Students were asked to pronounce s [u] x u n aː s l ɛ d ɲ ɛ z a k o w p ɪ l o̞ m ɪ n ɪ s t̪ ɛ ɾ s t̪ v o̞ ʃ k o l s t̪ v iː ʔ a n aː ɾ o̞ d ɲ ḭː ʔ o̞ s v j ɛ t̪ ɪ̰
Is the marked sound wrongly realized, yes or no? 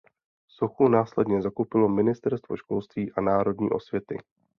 yes